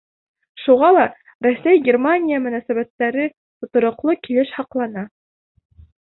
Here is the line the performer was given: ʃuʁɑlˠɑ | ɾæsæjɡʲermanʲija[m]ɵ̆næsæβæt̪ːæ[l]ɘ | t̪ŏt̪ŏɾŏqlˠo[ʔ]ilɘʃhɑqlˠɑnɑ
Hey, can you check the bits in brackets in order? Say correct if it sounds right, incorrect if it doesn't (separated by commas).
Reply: correct, incorrect, incorrect